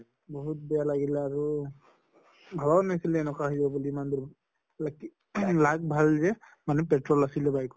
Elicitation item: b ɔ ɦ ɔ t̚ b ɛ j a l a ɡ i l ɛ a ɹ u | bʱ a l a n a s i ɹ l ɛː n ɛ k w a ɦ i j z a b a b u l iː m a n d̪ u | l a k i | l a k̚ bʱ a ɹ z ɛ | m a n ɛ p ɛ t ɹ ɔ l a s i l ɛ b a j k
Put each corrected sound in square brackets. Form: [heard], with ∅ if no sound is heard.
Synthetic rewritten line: b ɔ ɦ [u] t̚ b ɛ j a l a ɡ i l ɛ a ɹ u | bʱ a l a n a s i [∅] l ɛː n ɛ k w a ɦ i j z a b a b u l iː m a n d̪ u | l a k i | l a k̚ bʱ a [l] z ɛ | m a n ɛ p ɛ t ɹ ɔ l a s i l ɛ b a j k